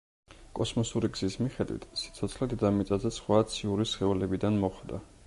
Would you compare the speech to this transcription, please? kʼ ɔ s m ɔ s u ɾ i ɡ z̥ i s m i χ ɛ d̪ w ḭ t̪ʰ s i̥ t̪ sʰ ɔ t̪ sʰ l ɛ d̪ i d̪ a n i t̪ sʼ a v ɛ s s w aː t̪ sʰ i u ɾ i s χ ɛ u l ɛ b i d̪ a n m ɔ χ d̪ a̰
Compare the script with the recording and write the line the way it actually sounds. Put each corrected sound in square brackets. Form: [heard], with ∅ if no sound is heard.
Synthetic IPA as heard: kʼ ɔ s m ɔ s u ɾ i ɡ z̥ i s m i χ ɛ d̪ w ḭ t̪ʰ s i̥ t̪ sʰ ɔ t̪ sʰ l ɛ d̪ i d̪ a [m] i t̪ sʼ a [z] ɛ s [χ] w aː t̪ sʰ i u ɾ i s χ ɛ u l ɛ b i d̪ a n m ɔ χ d̪ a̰